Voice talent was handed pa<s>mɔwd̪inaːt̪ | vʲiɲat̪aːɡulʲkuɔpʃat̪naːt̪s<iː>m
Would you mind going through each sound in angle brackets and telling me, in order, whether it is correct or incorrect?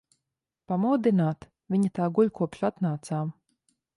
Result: incorrect: none, incorrect: aː

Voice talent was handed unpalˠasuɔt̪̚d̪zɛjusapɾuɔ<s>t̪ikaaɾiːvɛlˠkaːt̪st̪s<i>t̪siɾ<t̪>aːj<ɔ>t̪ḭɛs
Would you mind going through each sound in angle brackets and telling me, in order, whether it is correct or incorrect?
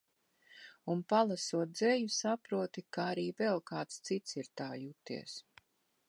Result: incorrect: none, correct, correct, incorrect: u

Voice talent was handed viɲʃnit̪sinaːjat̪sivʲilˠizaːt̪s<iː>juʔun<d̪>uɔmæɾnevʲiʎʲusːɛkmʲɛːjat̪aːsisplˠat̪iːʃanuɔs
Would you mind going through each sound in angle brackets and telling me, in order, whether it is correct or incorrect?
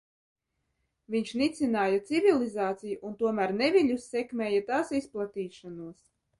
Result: incorrect: i, incorrect: t̪

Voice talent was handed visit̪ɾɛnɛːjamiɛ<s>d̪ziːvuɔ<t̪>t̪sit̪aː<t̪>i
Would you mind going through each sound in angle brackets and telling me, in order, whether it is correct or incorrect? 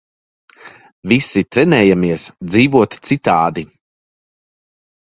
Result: correct, correct, incorrect: d̪

